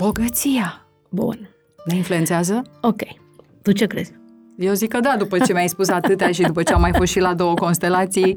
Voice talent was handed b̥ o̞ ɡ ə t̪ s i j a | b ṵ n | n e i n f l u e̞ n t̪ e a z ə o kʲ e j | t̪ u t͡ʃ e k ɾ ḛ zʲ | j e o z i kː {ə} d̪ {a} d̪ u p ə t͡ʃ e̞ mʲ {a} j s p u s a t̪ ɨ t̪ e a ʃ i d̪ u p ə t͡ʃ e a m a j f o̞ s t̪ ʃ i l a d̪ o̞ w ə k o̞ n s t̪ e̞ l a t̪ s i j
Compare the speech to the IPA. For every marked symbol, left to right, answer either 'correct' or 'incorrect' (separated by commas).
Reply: correct, correct, correct